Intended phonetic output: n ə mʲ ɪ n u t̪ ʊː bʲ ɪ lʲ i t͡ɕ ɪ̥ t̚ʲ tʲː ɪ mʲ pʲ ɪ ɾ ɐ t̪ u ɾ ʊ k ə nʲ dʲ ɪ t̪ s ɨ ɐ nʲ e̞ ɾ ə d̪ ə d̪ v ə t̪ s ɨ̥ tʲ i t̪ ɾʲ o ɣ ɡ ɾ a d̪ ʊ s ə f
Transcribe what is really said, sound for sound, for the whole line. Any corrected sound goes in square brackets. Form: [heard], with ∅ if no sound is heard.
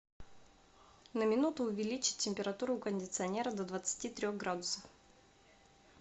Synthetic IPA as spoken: n ə mʲ ɪ n u t̪ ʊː [vʲ] ɪ lʲ i t͡ɕ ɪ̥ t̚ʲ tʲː ɪ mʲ pʲ ɪ ɾ ɐ t̪ u ɾ ʊ k ə nʲ dʲ ɪ t̪ s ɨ ɐ nʲ e̞ ɾ ə d̪ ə d̪ v ə t̪ s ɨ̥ tʲ i t̪ ɾʲ o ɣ ɡ ɾ a d̪ ʊ s ə f